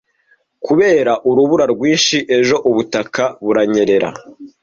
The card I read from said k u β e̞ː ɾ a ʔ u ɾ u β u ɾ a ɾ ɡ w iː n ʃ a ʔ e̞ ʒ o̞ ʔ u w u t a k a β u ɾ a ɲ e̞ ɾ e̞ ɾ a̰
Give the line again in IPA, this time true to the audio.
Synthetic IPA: k u β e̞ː ɾ a ʔ u ɾ u β u ɾ a ɾ ɡ w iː n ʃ i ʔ e̞ ʒ o̞ ʔ u β u t a k a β u ɾ a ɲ e̞ ɾ e̞ ɾ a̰